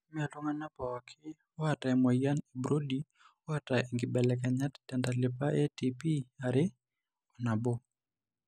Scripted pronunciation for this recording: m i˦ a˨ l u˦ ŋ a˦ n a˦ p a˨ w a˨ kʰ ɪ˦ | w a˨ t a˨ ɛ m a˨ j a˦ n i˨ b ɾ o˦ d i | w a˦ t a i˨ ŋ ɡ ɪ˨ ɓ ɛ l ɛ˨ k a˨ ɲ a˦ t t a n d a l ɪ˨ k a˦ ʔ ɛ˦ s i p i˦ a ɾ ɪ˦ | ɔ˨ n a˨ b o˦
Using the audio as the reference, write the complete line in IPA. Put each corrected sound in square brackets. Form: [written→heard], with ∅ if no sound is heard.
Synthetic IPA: m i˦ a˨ l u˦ ŋ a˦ n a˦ p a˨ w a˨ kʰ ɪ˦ | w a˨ t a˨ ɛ m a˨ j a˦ n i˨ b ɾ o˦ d i | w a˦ t a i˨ ŋ ɡ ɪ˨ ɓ ɛ l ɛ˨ k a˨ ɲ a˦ t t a n d a l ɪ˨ [k→p] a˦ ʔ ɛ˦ [s→t] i p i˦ a ɾ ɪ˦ | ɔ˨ n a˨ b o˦